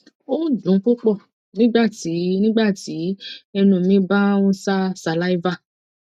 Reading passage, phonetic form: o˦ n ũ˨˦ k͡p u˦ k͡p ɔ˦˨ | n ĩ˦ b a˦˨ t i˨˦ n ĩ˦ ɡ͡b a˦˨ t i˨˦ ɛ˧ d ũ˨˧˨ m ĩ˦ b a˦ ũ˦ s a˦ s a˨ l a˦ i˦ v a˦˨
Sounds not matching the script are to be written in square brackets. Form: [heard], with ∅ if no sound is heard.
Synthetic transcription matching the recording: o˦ [d] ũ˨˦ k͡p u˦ k͡p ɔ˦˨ | n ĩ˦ [ɡ͡b] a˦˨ t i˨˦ n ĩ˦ ɡ͡b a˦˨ t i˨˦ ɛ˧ [n] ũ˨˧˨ m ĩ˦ b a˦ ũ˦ s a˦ s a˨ l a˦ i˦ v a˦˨